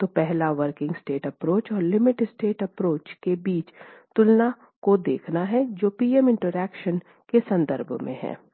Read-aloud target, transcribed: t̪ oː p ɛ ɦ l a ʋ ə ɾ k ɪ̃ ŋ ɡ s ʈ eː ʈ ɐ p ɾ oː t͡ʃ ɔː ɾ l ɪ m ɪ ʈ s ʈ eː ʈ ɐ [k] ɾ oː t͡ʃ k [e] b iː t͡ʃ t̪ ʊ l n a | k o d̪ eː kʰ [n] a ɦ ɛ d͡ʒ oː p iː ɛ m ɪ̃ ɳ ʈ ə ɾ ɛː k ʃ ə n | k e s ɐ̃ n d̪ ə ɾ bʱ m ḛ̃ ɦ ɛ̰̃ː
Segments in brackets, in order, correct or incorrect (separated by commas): incorrect, correct, correct